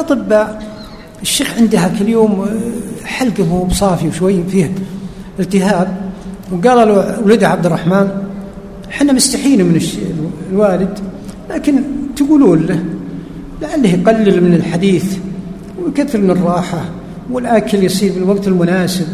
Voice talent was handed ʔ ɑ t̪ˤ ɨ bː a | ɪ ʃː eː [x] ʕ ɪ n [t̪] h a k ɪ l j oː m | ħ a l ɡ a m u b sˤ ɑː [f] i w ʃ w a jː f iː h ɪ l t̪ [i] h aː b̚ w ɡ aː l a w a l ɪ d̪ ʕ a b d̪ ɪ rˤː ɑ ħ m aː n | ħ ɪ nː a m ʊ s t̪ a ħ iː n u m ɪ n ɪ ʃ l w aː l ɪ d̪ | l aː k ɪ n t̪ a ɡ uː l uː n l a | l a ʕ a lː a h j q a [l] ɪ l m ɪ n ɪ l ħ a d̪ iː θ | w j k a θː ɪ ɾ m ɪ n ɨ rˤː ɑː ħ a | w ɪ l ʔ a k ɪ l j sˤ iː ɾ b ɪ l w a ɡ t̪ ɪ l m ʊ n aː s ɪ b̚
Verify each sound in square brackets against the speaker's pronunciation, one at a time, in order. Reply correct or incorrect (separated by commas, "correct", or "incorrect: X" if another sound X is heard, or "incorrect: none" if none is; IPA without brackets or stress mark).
correct, incorrect: d̪, correct, incorrect: ɪ, incorrect: lː